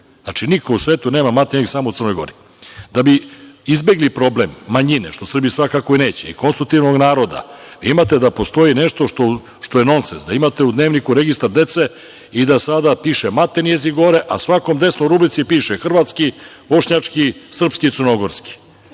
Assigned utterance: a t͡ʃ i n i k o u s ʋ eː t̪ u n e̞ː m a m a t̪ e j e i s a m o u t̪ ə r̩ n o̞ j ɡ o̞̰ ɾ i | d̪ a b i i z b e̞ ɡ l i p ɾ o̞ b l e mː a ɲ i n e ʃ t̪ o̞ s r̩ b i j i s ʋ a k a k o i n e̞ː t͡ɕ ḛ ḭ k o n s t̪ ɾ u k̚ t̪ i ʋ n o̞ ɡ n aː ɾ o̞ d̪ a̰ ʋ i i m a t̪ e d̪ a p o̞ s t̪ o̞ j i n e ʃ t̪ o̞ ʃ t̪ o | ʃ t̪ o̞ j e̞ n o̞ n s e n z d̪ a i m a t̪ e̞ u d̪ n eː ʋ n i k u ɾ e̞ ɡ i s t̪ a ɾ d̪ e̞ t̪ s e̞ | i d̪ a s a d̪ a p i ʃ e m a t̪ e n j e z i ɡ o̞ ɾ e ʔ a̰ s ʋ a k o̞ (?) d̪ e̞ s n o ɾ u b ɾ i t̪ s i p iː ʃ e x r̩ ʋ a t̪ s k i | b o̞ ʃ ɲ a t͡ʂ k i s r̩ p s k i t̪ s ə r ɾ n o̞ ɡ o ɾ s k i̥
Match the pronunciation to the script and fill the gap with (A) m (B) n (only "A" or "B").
A